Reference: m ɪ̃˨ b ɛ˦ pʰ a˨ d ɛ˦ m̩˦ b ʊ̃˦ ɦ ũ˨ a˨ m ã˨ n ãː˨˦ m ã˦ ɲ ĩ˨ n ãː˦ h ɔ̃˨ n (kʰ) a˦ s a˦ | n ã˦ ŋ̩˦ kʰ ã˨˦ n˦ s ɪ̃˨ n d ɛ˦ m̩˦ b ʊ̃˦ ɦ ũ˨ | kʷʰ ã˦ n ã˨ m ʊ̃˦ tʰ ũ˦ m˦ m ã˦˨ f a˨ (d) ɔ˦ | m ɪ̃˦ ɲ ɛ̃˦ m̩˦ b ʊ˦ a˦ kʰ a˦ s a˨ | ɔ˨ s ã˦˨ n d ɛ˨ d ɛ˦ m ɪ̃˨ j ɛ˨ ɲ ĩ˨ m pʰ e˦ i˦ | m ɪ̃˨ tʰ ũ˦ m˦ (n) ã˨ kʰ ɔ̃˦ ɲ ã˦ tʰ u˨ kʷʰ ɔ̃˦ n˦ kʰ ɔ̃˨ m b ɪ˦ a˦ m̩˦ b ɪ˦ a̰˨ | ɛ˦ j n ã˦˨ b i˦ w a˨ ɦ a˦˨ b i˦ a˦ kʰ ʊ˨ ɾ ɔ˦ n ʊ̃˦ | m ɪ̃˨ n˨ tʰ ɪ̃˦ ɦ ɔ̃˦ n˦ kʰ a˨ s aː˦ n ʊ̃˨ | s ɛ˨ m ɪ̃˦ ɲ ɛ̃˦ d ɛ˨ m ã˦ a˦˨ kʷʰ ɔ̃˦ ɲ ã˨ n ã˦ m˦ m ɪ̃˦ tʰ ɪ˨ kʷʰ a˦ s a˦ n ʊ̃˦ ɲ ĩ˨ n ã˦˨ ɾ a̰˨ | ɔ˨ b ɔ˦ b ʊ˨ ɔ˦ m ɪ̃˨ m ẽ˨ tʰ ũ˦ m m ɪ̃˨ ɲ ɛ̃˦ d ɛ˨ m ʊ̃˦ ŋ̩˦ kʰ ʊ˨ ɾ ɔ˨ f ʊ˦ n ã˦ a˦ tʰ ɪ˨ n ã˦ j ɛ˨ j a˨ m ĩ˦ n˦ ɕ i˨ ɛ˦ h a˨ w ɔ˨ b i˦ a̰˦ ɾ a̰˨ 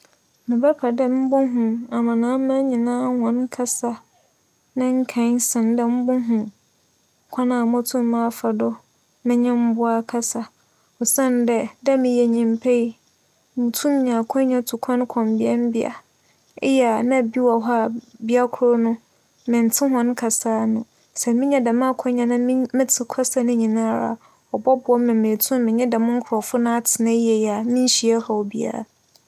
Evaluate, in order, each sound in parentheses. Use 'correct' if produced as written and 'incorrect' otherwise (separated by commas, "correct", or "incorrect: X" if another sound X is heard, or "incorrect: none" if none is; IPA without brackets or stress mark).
correct, correct, incorrect: ɲ